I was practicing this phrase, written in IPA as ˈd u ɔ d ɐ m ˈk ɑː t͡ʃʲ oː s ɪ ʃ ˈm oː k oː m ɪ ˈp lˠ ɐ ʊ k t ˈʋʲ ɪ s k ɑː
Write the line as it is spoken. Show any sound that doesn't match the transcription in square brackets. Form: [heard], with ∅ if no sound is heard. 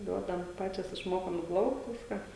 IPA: ˈd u ɔ d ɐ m [ˈp] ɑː t͡ʃʲ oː s ɪ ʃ ˈm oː k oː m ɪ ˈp lˠ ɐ ʊ k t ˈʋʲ ɪ s k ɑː